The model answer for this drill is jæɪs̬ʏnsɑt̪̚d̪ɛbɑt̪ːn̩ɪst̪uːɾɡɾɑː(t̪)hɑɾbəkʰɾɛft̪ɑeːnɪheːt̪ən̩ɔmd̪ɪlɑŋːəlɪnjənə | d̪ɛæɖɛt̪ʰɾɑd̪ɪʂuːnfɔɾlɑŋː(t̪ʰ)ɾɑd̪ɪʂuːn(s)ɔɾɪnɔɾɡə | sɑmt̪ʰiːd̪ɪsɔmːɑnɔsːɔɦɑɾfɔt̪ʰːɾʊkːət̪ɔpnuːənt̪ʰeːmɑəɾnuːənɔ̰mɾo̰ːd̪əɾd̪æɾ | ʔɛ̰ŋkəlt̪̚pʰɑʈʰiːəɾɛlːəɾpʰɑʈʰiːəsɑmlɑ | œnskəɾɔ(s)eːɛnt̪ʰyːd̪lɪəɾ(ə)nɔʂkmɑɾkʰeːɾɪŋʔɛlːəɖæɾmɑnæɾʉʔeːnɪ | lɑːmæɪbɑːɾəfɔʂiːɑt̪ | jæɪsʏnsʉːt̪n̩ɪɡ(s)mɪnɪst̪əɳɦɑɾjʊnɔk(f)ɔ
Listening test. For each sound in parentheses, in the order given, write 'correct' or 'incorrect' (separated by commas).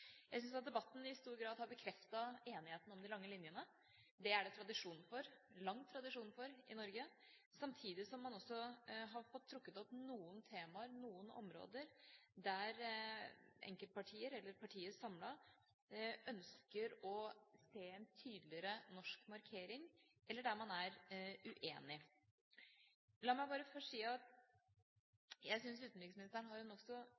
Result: incorrect, correct, incorrect, correct, correct, correct, incorrect